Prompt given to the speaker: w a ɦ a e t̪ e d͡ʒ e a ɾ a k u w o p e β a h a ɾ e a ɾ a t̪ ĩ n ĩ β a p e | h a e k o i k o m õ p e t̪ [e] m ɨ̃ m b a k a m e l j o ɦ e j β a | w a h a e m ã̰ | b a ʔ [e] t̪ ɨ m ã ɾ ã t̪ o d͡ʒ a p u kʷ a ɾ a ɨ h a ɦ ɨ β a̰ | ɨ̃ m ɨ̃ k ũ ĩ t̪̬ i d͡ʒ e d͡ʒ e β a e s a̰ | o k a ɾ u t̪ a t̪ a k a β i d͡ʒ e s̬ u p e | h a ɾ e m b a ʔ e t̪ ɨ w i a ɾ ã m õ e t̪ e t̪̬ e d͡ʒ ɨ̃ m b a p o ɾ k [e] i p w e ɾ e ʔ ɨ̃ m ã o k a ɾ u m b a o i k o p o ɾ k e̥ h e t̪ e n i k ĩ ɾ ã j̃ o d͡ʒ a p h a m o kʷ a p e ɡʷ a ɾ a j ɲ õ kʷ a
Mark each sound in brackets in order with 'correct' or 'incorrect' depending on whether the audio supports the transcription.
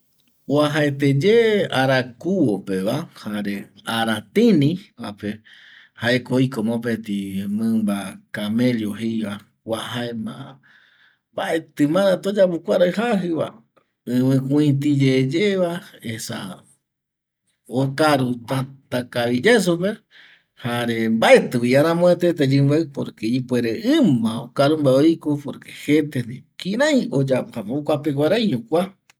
incorrect, correct, correct

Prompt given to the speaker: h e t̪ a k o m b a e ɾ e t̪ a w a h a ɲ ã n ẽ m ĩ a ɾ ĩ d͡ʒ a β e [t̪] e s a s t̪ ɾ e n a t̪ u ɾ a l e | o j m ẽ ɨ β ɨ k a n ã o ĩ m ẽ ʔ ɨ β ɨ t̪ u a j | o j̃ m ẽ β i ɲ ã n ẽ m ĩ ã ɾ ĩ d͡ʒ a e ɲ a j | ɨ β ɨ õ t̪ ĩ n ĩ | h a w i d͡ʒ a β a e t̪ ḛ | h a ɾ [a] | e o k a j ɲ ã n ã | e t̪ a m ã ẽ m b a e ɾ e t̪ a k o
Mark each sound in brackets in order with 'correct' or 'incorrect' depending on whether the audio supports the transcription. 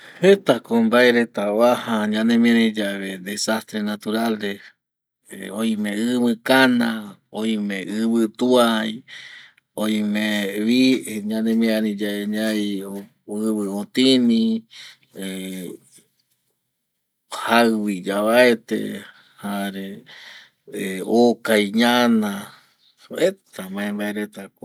incorrect, incorrect

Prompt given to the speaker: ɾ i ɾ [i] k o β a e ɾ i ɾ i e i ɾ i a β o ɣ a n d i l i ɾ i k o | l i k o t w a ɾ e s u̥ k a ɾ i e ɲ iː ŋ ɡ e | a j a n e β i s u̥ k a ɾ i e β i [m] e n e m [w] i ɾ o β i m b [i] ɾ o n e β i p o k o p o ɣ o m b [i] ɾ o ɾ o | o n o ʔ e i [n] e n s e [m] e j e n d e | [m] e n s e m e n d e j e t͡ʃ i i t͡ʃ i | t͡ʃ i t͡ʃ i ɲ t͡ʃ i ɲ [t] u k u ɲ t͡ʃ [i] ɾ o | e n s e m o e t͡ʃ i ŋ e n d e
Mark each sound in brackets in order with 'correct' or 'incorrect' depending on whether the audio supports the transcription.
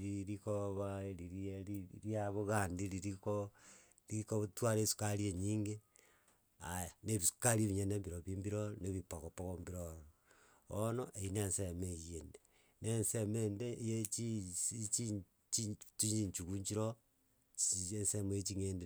correct, incorrect, incorrect, correct, correct, correct, correct, incorrect, incorrect, correct

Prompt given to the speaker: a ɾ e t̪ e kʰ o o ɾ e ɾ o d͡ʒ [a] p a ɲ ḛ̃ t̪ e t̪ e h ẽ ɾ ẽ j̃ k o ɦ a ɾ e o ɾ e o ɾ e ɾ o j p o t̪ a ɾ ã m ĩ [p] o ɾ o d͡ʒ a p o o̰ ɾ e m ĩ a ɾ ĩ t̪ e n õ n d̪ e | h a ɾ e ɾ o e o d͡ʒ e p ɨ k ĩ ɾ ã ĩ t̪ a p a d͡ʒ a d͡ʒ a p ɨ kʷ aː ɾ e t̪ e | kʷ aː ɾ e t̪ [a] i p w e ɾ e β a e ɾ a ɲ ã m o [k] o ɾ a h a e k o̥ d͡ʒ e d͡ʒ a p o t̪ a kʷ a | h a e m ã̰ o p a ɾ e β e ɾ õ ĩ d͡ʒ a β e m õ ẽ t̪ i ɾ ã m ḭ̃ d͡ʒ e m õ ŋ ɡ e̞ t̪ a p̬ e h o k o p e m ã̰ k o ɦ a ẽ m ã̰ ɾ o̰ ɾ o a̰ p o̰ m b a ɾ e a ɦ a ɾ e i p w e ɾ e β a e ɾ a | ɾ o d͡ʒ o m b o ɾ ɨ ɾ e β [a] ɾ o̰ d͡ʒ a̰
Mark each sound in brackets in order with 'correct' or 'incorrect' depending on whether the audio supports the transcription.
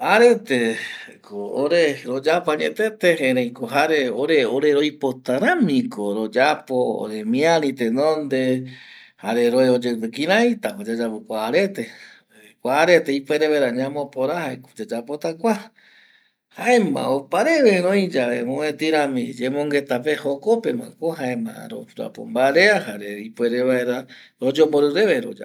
correct, incorrect, incorrect, incorrect, incorrect

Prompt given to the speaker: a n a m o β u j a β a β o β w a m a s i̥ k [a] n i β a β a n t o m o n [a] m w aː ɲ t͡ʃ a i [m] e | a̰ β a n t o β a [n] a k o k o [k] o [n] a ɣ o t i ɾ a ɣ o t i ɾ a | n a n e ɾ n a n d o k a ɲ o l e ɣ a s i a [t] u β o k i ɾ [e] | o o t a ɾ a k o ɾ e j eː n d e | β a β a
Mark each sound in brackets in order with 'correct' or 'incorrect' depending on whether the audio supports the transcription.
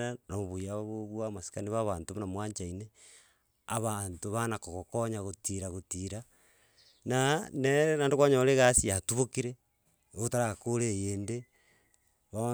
correct, correct, incorrect, correct, correct, incorrect, correct, correct

